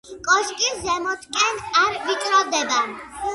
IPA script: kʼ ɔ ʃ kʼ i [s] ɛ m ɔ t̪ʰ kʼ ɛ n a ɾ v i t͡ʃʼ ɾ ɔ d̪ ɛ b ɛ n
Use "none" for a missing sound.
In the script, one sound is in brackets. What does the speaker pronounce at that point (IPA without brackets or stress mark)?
z